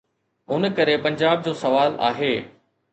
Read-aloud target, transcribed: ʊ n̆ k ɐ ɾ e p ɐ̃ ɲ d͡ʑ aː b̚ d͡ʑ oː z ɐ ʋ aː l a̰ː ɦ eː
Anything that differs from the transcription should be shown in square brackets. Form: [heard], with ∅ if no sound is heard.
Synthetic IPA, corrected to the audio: ʊ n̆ k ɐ ɾ e p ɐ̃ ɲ d͡ʑ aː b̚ d͡ʑ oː [s] ɐ ʋ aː l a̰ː ɦ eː